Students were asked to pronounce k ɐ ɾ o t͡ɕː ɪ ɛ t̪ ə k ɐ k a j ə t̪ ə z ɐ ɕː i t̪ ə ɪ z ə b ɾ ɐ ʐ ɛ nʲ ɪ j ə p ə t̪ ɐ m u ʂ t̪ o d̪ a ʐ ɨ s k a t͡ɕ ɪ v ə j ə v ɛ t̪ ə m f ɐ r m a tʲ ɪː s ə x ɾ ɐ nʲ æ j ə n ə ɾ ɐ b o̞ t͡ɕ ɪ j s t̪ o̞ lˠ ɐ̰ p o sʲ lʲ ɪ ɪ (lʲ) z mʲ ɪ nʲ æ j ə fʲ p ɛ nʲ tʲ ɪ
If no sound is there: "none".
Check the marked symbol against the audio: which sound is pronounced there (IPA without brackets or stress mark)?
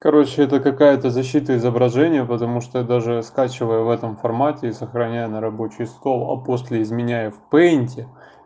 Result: none